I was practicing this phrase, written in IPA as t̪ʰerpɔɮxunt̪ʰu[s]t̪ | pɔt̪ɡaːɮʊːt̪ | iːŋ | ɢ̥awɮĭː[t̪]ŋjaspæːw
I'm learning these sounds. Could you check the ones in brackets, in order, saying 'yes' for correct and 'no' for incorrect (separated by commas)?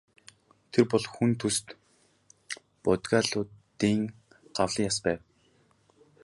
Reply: yes, no